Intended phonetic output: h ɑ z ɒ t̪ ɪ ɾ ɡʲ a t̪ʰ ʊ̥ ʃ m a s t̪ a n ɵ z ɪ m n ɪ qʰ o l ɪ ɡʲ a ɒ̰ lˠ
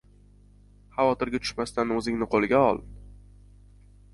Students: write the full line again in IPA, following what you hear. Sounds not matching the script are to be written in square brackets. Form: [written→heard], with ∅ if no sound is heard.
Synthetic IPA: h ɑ [z→v] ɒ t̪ ɪ ɾ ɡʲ a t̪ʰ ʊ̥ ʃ m a s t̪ a n ɵ z ɪ [m→ŋ] n ɪ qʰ o l ɪ ɡʲ a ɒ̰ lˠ